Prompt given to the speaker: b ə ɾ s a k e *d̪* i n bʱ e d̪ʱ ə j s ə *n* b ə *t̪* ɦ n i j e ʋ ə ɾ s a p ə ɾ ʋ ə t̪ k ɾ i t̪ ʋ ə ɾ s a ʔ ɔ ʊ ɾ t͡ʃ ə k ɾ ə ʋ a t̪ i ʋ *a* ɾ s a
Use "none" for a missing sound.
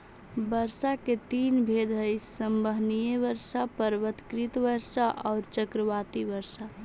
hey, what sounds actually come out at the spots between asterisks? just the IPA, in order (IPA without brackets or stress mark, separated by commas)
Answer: t̪, m, none, ə